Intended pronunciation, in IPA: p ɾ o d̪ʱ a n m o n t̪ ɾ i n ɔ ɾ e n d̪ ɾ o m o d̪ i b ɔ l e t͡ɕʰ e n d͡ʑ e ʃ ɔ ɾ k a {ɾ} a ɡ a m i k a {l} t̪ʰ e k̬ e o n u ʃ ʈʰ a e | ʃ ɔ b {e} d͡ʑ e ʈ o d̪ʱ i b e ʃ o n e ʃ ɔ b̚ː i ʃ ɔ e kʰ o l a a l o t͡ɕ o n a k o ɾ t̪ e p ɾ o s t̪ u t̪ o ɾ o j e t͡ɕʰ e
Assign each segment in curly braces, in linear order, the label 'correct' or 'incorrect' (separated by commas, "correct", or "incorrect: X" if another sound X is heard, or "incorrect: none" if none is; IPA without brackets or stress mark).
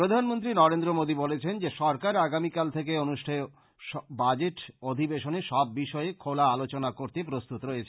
correct, correct, incorrect: a